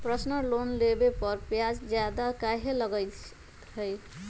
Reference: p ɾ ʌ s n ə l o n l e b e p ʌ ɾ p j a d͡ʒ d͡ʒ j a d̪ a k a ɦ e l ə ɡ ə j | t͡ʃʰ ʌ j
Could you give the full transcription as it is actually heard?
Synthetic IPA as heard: p ɾ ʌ s n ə l o n l e b e p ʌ ɾ p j a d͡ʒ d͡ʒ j a d̪ a k a ɦ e l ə ɡ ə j | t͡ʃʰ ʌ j